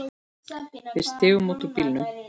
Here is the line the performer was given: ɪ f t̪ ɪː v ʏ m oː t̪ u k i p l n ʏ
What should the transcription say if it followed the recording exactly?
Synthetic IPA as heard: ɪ s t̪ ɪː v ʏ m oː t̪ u p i l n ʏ